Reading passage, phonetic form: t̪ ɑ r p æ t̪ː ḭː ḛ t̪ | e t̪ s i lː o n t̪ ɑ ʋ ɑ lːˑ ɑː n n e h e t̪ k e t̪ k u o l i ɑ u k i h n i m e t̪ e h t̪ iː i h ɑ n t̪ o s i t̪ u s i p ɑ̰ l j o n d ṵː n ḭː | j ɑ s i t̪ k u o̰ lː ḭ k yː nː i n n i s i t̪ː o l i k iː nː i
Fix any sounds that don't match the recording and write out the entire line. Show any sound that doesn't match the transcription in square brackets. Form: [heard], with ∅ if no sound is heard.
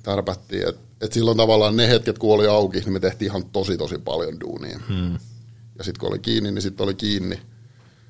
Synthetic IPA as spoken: t̪ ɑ r p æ t̪ː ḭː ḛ t̪ | e t̪ s i lː o n t̪ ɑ ʋ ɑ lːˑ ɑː n n e h e t̪ k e t̪ k u o l i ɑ u k i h n i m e t̪ e h t̪ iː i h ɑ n t̪ o s i t̪ [o] s i p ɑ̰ l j o n d ṵː n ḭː | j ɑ s i t̪ k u o̰ [l] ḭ k [iː] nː i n n i s i t̪ː o l i k iː nː i